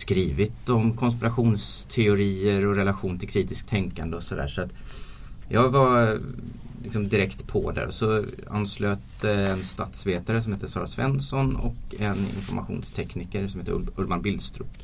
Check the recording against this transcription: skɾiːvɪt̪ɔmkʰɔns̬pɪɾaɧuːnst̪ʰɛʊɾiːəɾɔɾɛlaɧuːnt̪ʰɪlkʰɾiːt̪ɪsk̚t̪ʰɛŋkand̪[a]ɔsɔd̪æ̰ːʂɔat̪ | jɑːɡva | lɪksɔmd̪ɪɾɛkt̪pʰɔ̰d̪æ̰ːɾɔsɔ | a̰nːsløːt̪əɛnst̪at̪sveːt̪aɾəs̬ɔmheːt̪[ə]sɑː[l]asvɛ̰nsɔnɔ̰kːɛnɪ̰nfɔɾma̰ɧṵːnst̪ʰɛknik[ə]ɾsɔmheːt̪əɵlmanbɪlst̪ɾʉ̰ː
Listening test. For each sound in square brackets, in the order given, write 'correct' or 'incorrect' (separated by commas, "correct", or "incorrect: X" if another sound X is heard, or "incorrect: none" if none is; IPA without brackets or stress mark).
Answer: incorrect: ə, correct, incorrect: ɾ, correct